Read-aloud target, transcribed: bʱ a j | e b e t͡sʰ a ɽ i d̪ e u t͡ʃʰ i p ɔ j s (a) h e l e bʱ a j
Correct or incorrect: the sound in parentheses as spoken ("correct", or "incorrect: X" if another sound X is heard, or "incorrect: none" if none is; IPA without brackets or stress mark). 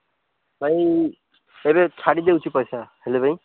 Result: correct